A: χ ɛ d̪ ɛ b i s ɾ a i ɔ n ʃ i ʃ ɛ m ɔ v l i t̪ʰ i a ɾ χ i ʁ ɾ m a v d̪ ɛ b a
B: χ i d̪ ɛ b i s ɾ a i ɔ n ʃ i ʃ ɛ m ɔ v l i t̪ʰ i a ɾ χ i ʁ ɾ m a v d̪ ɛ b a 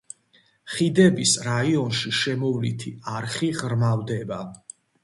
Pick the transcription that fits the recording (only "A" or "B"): B